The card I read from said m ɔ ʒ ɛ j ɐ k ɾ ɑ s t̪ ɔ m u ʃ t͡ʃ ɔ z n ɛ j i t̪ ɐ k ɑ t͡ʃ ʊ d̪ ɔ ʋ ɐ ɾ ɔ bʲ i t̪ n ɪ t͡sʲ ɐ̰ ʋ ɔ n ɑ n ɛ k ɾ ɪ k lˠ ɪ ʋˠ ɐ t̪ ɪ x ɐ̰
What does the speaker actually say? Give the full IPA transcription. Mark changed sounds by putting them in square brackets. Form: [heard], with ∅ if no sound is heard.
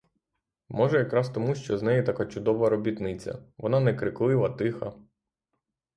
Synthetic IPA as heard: m ɔ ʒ ɛ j ɐ k ɾ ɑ s t̪ ɔ m u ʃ t͡ʃ ɔ z n ɛ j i t̪ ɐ k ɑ t͡ʃ ʊ d̪ ɔ ʋ ɐ ɾ ɔ bʲ i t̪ n ɪ t͡sʲ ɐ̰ ʋ ɔ n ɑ n ɛ k ɾ ɪ k lˠ ɪ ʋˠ ɐ t̪ ɪ x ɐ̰